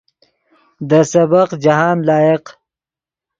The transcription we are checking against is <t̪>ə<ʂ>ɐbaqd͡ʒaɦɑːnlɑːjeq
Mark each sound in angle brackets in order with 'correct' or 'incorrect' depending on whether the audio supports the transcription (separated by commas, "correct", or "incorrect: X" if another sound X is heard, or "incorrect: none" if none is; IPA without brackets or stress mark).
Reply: incorrect: d̪, incorrect: s